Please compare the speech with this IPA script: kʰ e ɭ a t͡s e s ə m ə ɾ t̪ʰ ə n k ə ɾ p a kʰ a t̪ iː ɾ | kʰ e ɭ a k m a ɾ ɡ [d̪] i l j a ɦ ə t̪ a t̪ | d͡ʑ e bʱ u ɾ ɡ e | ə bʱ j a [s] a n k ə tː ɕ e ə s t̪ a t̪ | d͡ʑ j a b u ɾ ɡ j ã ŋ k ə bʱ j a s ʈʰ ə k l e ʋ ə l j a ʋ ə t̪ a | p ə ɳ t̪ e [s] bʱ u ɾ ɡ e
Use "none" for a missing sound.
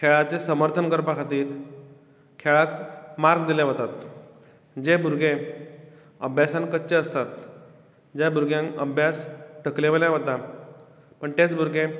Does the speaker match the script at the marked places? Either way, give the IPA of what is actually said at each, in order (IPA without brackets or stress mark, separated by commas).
d̪, s, t͡s